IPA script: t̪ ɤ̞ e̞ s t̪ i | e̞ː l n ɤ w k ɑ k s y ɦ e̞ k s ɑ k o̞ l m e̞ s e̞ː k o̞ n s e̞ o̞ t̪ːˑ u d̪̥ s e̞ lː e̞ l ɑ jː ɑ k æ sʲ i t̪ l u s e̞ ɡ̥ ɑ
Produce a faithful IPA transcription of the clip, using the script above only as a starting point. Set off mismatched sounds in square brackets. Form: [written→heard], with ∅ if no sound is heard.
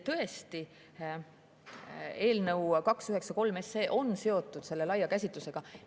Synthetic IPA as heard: t̪ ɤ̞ e̞ s t̪ i | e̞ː l n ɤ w k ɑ k s y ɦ e̞ k s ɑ k o̞ l m e̞ s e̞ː [k→ʔ] o̞ n s e̞ o̞ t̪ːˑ u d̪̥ s e̞ lː e̞ l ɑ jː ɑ k æ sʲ i t̪ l u s e̞ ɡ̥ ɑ